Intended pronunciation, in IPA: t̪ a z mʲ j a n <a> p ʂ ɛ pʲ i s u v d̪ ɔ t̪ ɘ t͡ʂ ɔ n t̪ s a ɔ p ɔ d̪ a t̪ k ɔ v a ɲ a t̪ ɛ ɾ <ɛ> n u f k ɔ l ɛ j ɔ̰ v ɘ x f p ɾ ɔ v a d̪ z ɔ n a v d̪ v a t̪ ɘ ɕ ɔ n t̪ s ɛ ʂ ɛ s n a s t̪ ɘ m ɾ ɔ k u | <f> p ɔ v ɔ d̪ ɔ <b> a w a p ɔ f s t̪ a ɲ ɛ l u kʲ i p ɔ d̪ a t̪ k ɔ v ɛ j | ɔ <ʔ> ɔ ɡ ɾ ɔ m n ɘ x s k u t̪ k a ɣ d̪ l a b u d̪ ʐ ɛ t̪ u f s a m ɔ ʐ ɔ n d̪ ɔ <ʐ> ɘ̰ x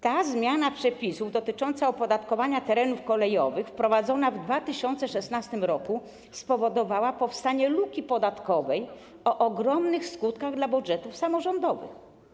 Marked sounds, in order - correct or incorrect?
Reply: correct, correct, incorrect: s, incorrect: v, correct, incorrect: v

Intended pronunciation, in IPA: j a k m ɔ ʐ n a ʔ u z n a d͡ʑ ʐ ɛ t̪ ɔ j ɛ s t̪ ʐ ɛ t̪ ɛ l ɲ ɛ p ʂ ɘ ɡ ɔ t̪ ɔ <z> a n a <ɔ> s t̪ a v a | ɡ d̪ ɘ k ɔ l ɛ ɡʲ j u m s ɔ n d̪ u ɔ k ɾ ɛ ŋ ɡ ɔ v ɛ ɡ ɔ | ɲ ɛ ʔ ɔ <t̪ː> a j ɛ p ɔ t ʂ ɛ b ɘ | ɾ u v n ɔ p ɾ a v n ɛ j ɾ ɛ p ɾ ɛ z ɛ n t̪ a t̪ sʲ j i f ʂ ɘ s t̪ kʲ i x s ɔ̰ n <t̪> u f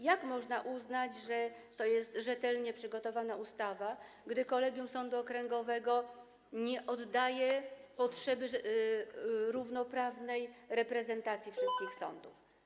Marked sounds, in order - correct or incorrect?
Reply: incorrect: v, incorrect: u, incorrect: d̪ː, incorrect: d̪

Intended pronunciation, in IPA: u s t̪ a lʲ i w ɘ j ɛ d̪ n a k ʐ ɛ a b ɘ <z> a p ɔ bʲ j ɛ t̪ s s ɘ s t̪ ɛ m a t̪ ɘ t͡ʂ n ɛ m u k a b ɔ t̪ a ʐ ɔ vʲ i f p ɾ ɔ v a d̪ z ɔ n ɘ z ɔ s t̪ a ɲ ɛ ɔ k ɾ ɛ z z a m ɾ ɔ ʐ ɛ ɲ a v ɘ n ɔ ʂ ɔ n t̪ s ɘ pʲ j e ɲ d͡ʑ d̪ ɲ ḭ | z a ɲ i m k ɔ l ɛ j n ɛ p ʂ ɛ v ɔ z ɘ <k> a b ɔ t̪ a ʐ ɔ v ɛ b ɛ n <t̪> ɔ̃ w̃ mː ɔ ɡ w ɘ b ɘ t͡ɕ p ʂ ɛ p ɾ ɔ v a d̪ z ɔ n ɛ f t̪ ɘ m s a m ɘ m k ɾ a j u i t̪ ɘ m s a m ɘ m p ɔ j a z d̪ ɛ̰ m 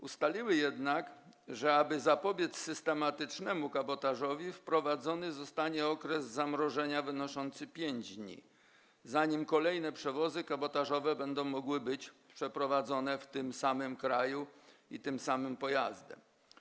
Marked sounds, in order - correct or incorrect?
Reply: correct, correct, incorrect: d̪

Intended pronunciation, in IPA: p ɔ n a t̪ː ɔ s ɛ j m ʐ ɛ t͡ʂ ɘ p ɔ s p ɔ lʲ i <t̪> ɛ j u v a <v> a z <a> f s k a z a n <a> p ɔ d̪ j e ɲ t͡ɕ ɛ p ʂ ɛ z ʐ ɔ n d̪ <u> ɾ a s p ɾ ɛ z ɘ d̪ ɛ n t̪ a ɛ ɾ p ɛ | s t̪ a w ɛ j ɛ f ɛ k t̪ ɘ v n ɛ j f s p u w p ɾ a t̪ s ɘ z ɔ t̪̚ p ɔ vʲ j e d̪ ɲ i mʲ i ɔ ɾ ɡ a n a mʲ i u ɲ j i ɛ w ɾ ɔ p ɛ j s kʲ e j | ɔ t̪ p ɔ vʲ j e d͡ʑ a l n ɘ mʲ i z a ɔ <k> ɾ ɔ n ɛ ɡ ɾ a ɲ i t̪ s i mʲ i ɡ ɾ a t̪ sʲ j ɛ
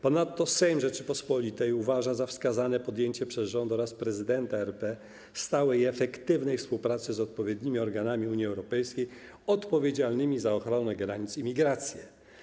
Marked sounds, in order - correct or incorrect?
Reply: correct, incorrect: ʐ, correct, incorrect: ɛ, incorrect: ɔ, incorrect: x

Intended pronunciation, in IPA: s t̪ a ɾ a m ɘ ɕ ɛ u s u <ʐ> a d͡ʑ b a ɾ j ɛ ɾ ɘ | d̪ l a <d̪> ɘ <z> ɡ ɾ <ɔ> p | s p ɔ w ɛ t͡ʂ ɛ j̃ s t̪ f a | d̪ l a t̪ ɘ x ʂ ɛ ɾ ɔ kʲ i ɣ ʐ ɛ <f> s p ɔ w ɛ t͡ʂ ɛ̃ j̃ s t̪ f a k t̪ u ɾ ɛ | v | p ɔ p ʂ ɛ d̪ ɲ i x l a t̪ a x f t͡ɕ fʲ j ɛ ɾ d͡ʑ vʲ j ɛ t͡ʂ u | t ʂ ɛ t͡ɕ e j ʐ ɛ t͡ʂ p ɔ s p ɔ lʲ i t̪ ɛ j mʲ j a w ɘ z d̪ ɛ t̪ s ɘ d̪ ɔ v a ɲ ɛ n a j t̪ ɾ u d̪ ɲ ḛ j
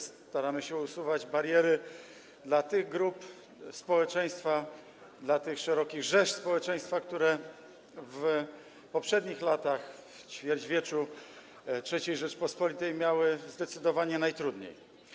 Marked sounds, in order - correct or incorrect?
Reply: incorrect: v, incorrect: t̪, incorrect: ɣ, incorrect: u, incorrect: ʂ

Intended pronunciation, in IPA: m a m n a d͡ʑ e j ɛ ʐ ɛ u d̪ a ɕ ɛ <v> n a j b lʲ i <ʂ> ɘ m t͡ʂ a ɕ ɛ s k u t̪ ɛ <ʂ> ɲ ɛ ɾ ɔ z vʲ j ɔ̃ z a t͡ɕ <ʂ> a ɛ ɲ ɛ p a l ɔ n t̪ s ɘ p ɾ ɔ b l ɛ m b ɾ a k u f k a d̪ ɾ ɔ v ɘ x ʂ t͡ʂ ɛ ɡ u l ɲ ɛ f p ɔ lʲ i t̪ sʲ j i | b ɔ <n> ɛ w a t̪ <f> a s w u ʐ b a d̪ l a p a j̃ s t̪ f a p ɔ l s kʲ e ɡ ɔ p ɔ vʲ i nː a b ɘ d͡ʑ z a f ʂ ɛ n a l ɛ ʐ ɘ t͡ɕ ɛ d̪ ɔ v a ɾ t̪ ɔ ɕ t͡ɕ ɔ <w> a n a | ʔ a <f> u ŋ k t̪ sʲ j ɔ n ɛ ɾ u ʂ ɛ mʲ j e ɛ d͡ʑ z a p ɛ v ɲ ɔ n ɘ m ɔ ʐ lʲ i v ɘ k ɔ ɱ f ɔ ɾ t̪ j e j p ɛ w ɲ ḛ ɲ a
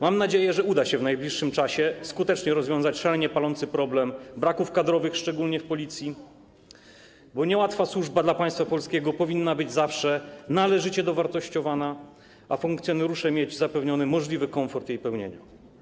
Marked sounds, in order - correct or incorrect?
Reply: correct, incorrect: ʂː, incorrect: t͡ʂ, correct, incorrect: ɲ, correct, incorrect: v, correct

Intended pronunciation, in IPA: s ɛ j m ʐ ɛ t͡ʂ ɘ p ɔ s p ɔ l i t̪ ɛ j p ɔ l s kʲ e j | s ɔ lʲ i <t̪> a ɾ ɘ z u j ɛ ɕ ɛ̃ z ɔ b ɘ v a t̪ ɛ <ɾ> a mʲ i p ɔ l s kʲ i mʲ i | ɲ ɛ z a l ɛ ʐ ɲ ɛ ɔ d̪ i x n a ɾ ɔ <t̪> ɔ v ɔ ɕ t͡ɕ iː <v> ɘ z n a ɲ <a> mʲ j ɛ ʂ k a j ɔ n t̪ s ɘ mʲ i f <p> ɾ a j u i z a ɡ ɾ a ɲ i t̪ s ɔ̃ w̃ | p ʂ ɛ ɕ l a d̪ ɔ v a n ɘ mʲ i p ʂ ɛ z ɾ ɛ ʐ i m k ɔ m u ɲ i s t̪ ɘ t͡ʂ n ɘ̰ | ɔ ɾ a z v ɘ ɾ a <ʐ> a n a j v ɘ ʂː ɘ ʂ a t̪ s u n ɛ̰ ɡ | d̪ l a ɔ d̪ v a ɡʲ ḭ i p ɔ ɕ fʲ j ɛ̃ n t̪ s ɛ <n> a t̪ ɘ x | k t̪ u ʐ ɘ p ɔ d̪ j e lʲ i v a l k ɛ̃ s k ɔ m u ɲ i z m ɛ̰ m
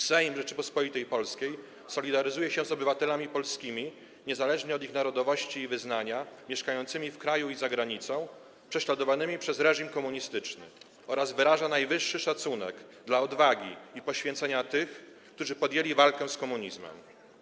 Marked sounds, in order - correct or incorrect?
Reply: incorrect: d̪, incorrect: l, incorrect: d̪, correct, correct, incorrect: k, correct, incorrect: ɲ

